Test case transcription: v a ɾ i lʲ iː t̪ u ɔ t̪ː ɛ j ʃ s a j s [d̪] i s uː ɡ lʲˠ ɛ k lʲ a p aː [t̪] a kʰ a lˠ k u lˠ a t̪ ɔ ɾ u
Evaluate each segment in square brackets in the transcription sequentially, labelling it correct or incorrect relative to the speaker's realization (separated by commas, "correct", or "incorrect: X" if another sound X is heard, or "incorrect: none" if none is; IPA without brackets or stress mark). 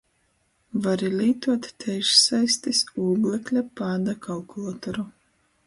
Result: incorrect: t̪, incorrect: d̪